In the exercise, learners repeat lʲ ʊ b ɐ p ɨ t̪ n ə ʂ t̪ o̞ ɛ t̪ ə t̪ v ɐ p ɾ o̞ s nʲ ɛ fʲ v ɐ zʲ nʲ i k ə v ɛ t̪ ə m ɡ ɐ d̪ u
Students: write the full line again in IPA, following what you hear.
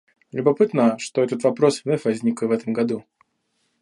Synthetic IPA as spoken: lʲ ʊ b ɐ p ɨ t̪ n ə ʂ t̪ o̞ ɛ t̪ ə t̪ v ɐ p ɾ o̞ s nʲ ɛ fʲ v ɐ zʲ nʲ i k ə v ɛ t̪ ə m ɡ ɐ d̪ u